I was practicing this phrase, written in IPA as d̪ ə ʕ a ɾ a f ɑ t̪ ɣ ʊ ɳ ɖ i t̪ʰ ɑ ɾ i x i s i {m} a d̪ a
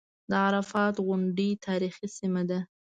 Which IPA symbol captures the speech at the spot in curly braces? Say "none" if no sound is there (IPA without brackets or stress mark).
m